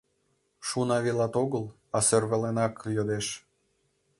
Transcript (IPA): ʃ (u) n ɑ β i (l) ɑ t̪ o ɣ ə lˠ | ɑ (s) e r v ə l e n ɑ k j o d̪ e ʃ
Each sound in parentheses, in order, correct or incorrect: correct, correct, correct

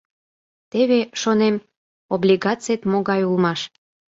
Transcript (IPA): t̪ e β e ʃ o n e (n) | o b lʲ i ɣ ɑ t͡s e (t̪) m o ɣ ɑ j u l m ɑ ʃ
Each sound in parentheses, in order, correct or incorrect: incorrect: m, correct

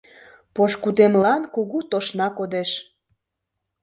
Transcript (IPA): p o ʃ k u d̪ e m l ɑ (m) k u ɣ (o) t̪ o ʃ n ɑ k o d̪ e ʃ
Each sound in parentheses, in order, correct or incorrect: incorrect: n, incorrect: u

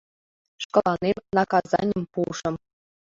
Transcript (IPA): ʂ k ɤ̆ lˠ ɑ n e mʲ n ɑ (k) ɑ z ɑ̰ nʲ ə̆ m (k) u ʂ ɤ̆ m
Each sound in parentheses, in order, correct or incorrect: correct, incorrect: p

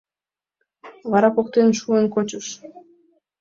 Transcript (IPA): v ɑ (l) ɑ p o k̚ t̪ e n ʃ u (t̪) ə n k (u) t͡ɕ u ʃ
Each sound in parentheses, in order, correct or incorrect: incorrect: ɾ, incorrect: none, incorrect: o

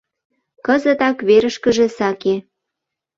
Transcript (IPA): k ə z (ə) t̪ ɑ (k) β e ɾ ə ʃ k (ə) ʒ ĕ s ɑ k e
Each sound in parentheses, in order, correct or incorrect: correct, correct, correct

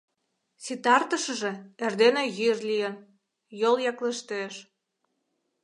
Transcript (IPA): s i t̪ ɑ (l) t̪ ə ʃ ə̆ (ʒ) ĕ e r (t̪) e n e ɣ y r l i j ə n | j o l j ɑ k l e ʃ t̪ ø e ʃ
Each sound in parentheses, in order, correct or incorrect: incorrect: r, correct, incorrect: d̪

